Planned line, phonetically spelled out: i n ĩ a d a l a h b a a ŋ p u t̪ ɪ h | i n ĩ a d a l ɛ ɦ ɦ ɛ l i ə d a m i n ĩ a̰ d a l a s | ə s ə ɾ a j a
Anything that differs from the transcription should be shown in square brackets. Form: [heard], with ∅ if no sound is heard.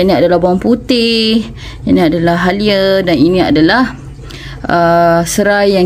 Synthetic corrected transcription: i n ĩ a d a l a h b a a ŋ p u t̪ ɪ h | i n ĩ a d a l [a] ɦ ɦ [a] l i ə d a [n] i n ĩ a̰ d a l a [h] | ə s ə ɾ a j a